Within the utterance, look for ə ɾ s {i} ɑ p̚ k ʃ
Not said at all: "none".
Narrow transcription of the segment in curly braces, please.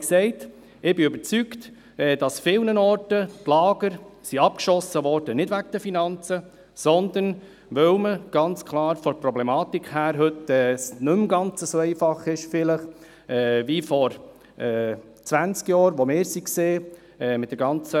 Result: i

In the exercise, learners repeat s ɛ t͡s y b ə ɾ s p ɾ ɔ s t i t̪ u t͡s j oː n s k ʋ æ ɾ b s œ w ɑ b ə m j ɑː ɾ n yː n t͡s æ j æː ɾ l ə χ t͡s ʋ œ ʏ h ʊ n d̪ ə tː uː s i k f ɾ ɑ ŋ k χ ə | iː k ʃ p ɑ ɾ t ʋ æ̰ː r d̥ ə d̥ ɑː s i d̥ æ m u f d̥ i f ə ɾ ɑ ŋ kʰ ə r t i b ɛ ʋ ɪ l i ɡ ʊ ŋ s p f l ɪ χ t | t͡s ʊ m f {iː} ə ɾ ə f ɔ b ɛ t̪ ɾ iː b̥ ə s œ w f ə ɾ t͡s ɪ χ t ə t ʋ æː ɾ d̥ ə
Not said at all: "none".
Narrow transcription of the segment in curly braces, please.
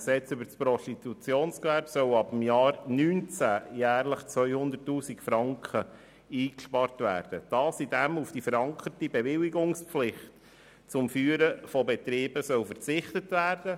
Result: yː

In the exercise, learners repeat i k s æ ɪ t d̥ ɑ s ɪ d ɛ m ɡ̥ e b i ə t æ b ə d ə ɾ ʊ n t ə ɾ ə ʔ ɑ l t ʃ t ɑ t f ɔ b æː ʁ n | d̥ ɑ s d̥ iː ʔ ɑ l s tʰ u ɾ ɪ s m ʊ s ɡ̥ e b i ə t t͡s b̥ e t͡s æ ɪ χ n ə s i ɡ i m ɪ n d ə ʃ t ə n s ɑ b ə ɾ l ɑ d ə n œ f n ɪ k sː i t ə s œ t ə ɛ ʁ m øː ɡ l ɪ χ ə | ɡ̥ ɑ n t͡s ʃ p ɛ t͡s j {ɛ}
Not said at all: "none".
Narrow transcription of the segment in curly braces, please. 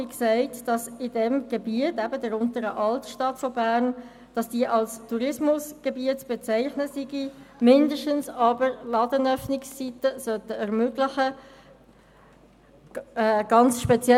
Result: ɛ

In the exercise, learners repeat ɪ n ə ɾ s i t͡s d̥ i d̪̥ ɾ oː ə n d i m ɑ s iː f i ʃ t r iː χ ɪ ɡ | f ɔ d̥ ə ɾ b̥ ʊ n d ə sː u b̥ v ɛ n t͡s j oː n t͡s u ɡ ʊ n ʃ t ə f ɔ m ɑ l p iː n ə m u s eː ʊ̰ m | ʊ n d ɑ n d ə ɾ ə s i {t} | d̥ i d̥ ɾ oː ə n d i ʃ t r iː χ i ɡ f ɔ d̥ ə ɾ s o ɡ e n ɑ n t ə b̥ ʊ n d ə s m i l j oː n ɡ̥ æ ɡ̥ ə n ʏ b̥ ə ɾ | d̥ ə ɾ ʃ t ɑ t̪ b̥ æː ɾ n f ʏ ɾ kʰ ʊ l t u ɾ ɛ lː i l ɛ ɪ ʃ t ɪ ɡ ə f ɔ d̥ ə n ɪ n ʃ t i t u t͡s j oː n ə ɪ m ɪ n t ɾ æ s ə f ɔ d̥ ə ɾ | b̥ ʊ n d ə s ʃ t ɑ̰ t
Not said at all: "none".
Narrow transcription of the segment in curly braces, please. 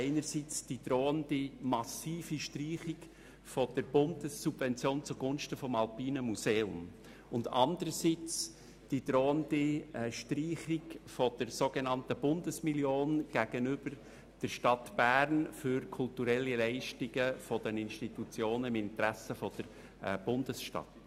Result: t͡s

